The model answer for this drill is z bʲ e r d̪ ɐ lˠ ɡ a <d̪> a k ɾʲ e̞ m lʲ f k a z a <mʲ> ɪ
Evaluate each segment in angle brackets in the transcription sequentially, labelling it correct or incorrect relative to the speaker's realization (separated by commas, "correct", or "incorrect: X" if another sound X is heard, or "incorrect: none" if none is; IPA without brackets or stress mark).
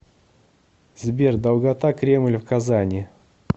incorrect: t̪, incorrect: nʲ